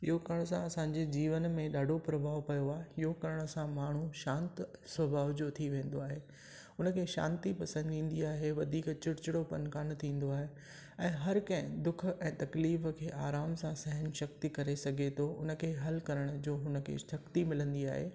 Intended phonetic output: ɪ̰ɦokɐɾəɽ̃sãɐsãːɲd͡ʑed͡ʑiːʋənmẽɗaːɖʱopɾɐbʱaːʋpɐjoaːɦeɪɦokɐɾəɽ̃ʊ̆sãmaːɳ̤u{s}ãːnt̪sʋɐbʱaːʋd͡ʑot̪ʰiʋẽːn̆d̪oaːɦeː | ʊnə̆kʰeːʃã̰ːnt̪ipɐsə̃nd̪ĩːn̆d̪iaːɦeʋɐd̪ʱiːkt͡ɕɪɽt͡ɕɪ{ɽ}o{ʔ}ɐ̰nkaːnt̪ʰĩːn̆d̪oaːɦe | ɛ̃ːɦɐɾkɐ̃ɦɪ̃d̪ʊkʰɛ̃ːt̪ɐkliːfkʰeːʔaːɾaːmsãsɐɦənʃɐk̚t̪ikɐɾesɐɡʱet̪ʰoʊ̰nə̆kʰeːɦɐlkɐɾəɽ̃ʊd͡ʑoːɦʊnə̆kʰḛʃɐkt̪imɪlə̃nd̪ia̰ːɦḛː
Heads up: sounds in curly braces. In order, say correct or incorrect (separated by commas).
incorrect, correct, incorrect